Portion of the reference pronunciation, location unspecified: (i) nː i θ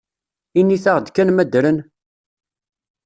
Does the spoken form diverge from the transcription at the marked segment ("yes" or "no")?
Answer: no